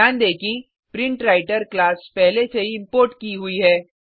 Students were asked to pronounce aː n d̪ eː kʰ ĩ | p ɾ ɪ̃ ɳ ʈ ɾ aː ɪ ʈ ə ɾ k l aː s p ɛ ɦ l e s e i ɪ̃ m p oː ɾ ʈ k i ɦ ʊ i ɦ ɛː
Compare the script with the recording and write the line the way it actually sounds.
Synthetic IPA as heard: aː n d̪ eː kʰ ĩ | p ɾ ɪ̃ ɳ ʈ ɾ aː ɪ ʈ ə ɾ k l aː s p ɛ ɦ l e s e i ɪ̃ m p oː ɾ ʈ k i ɦ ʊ i ɦ ɛː